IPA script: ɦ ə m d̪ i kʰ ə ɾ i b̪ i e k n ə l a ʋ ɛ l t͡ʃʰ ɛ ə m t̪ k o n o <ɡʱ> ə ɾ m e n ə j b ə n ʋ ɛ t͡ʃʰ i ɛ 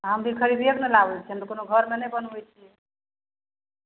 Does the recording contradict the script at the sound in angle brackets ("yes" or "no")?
no